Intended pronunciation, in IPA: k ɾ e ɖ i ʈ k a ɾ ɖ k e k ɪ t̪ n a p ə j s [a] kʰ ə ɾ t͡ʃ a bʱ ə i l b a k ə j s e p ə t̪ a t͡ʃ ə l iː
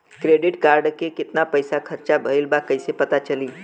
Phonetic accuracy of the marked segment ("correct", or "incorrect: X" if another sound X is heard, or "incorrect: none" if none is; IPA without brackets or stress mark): correct